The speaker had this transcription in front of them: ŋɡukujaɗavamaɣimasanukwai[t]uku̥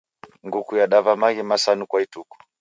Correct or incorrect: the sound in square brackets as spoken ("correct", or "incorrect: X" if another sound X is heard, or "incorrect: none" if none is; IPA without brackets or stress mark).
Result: correct